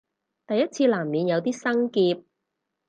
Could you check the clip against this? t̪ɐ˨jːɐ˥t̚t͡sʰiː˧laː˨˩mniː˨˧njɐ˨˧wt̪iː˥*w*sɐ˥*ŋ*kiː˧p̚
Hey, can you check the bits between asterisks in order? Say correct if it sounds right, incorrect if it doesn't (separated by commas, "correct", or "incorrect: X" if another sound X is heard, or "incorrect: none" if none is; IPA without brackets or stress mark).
incorrect: none, correct